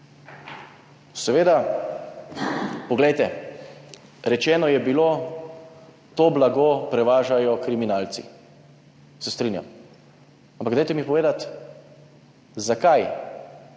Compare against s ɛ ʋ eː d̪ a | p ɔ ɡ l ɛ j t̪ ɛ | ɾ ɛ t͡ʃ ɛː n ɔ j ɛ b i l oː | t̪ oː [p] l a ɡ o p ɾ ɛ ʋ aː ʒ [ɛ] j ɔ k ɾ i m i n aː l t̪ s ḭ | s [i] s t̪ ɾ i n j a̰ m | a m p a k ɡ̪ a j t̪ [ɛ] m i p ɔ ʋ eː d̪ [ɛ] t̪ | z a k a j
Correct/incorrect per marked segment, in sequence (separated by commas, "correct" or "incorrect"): incorrect, incorrect, incorrect, correct, incorrect